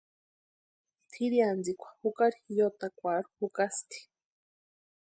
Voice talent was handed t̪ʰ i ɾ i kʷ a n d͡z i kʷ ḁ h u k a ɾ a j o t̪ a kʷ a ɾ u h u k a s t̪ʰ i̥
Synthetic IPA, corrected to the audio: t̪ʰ i ɾ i a n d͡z i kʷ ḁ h u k a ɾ i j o t̪ a kʷ a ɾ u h u k a s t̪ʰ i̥

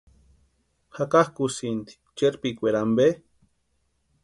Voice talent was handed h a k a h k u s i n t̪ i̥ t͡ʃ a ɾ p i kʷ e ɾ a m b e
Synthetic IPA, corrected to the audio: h a k a h k u s i n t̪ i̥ t͡ʃ e ɾ p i kʷ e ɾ a m b e

